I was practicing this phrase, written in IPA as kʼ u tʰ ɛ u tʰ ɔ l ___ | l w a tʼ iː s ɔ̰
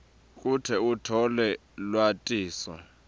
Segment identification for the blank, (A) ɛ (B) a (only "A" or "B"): A